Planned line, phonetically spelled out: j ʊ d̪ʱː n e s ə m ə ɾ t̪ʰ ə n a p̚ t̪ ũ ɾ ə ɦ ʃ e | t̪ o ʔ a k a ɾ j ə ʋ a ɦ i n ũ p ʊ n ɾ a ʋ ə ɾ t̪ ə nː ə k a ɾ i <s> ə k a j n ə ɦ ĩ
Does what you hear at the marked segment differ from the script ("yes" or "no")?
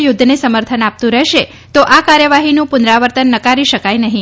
yes